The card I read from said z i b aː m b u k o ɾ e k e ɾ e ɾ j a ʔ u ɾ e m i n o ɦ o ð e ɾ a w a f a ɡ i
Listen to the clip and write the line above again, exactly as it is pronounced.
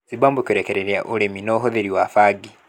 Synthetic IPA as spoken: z i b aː m b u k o ɾ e k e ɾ e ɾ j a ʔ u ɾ e m i n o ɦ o ð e ɾ i w a f a ɡ i